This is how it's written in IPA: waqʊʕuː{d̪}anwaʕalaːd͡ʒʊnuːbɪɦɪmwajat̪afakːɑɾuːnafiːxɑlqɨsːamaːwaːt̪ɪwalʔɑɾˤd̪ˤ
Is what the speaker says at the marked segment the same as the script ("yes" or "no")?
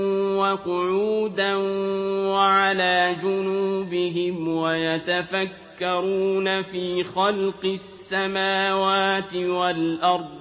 yes